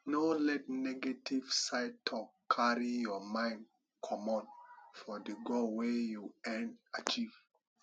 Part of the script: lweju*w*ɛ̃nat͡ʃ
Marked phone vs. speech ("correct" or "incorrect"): incorrect